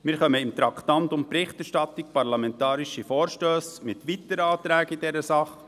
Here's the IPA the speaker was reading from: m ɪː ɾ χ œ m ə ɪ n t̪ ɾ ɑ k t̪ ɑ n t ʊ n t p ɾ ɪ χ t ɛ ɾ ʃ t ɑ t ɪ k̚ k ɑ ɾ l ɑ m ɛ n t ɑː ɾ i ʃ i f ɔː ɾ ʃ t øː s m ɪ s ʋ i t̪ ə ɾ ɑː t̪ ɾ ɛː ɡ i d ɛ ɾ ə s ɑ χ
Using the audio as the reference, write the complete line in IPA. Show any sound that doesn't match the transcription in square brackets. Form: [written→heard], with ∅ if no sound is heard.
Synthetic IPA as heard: m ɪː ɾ χ œ m ə ɪ [n→m] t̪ ɾ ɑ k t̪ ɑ n t ʊ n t p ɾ ɪ χ t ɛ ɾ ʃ t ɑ t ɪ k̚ [k→p] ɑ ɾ l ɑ m ɛ n t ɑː ɾ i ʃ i f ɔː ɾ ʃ t øː s m ɪ [s→t] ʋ i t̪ ə ɾ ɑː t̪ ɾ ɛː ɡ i d ɛ ɾ ə s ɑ χ